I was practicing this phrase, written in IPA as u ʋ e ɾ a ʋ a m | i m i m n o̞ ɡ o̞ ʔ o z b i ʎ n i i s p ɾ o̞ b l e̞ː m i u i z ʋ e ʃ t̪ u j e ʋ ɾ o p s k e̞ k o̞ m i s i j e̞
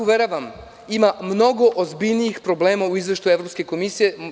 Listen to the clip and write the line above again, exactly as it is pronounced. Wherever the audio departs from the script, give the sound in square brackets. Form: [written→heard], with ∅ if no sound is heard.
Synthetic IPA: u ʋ e ɾ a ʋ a m | i m [i→a] m n o̞ ɡ o̞ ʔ o z b i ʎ n i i [s→x] p ɾ o̞ b l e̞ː m [i→a] u i z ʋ e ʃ t̪ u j e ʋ ɾ o p s k e̞ k o̞ m i s i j e̞